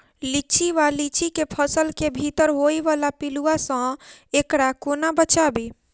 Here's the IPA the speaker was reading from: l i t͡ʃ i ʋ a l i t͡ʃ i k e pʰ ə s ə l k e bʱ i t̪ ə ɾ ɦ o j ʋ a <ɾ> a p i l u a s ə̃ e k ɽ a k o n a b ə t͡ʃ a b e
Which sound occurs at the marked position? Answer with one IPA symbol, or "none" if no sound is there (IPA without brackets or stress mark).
l